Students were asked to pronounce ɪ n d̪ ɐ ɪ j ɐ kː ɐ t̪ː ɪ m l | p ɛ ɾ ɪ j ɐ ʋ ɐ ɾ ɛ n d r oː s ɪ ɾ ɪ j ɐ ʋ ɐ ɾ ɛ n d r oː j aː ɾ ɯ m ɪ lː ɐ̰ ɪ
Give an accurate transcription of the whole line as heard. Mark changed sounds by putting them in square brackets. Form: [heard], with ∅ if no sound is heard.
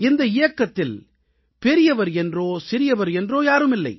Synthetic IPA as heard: ɪ n d̪ ɐ ɪ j ɐ kː ɐ t̪ː ɪ [∅] l | p ɛ ɾ ɪ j ɐ ʋ ɐ ɾ ɛ n d r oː s ɪ ɾ ɪ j ɐ ʋ ɐ ɾ ɛ n d r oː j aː ɾ ɯ m ɪ lː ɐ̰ ɪ